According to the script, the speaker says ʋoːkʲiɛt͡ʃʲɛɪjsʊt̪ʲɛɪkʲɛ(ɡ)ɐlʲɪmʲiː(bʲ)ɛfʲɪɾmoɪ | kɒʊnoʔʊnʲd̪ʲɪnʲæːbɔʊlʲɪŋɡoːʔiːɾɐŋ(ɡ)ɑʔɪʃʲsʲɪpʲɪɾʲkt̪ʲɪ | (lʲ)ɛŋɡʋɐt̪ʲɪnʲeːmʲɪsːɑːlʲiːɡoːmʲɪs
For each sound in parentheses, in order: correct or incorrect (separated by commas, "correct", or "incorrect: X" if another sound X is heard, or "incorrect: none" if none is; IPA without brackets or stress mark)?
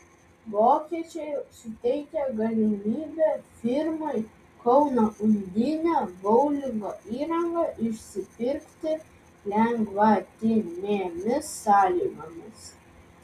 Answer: correct, correct, correct, correct